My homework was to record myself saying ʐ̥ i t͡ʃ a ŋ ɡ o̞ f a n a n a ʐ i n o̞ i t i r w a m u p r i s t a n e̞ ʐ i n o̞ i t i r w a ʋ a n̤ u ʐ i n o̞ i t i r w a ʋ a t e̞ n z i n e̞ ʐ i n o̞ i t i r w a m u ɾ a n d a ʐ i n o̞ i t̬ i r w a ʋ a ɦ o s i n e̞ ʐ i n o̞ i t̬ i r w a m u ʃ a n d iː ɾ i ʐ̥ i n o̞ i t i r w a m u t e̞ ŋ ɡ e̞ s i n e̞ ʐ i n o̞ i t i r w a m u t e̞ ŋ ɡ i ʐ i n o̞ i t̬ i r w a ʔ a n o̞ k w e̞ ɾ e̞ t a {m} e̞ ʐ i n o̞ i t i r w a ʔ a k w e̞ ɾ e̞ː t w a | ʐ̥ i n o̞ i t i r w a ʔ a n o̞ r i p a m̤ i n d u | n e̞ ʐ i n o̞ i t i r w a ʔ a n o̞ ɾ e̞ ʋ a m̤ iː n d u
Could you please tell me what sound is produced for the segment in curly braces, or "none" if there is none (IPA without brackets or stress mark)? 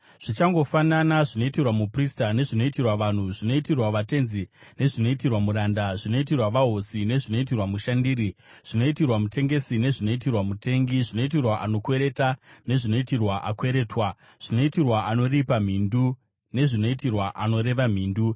n